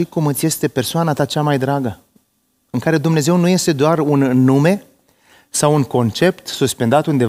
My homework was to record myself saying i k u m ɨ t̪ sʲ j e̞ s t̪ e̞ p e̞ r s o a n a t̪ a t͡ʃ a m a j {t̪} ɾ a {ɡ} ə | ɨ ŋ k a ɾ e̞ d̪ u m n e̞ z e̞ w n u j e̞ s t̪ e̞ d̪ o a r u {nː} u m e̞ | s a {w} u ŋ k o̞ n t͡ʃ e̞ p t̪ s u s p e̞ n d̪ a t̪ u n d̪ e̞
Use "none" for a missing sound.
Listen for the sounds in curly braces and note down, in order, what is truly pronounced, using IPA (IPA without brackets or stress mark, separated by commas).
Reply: d̪, ɡ, nː, w